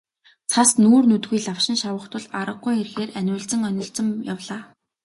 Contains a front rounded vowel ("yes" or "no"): yes